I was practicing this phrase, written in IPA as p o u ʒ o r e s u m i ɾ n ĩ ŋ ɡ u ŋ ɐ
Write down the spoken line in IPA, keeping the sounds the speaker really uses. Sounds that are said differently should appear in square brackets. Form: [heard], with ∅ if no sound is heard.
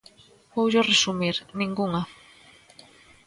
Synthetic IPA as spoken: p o [w] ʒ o r e s u m i ɾ n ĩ ŋ ɡ u ŋ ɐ